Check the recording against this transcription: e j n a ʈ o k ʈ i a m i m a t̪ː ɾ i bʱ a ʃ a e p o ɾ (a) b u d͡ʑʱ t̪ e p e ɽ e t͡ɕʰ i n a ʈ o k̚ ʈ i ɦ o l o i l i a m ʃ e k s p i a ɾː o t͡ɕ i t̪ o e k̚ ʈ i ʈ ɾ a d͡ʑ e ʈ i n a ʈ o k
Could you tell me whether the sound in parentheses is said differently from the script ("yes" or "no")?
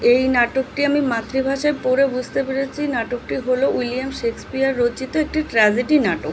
yes